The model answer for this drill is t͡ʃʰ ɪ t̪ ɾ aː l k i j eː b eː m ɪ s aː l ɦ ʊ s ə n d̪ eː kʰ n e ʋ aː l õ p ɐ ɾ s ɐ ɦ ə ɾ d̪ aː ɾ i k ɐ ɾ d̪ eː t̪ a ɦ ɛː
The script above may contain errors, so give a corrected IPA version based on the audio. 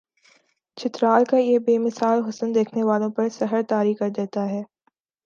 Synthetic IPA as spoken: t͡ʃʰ ɪ t̪ ɾ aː l k a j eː b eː m ɪ s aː l ɦ ʊ s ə n d̪ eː kʰ n e ʋ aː l õ p ɐ ɾ s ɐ ɦ ə ɾ t̪ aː ɾ i k ɐ ɾ d̪ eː t̪ a ɦ ɛː